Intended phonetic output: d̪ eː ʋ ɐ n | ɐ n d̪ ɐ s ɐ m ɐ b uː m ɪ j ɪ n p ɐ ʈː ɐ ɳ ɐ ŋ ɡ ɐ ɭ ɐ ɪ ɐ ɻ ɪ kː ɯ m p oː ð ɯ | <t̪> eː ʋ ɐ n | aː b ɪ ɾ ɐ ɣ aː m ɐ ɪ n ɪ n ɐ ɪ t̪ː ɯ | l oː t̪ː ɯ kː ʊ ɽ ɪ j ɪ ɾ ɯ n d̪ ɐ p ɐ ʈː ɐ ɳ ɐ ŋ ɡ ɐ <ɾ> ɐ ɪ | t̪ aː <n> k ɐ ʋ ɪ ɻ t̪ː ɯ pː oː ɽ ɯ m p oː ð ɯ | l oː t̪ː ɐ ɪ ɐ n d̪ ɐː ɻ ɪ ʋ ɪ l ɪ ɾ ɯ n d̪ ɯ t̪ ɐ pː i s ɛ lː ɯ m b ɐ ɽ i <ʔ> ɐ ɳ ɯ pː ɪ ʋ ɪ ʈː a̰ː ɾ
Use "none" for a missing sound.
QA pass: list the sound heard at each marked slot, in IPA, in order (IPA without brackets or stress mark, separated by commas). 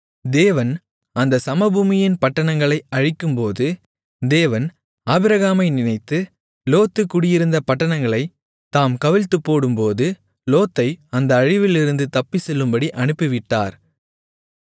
d̪, ɭ, m, ʔ